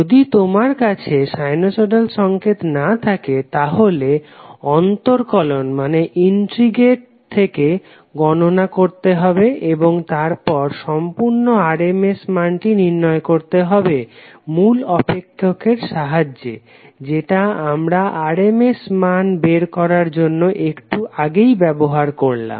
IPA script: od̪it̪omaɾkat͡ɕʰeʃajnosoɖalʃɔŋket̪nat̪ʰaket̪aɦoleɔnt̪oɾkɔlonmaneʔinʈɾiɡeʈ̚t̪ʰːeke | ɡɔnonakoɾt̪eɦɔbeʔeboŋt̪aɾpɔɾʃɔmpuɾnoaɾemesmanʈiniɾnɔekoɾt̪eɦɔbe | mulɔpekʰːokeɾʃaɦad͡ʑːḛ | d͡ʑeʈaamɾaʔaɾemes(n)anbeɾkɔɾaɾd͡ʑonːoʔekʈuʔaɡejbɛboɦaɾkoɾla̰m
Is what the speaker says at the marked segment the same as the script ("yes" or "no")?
no